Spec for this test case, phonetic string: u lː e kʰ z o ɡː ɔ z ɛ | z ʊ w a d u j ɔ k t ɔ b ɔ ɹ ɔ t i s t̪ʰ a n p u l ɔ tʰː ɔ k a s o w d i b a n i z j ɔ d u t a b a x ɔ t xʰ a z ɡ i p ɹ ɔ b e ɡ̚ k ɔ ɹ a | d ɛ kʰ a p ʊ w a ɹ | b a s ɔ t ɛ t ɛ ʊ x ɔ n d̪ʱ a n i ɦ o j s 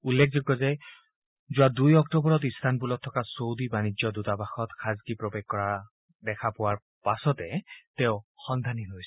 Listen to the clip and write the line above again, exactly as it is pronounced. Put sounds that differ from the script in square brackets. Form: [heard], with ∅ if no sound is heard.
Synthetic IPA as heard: u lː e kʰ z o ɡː ɔ z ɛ | z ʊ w a d u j ɔ k t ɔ b ɔ ɹ ɔ t i s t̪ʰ a n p u l ɔ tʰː ɔ k a s o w d i b a n i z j ɔ d u t a b a x ɔ t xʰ a z ɡ i p ɹ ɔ b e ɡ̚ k ɔ ɹ a | d ɛ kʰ a p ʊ w a ɹ | [p] a s ɔ t ɛ t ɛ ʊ x ɔ n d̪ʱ a n i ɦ o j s